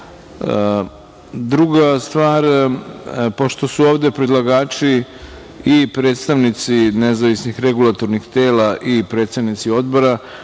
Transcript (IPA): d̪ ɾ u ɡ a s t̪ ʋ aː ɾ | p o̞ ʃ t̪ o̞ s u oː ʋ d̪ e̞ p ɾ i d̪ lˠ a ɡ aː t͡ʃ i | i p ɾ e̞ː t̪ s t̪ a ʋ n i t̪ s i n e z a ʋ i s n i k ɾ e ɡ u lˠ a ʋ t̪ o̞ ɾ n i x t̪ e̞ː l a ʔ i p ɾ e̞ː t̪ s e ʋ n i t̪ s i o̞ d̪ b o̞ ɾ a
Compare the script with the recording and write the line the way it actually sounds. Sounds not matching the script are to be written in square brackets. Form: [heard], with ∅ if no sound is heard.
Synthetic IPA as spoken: d̪ ɾ u ɡ a s t̪ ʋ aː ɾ | p o̞ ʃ t̪ o̞ s u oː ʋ d̪ e̞ p ɾ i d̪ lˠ a ɡ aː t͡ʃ i | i p ɾ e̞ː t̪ s t̪ a ʋ n i t̪ s i n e z a ʋ i s n i [x] ɾ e ɡ u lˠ a [∅] t̪ o̞ ɾ n i x t̪ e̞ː l a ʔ i p ɾ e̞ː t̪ s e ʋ n i t̪ s i o̞ d̪ b o̞ ɾ a